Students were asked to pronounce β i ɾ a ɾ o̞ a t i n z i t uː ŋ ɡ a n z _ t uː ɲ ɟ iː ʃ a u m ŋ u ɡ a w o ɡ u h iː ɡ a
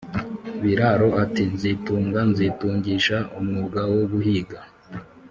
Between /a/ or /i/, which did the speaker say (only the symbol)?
i